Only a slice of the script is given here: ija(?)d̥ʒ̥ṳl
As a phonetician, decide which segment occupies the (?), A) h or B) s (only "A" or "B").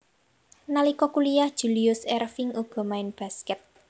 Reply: A